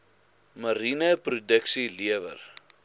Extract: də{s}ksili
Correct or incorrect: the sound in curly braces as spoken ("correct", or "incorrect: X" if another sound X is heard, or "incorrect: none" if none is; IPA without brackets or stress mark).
incorrect: none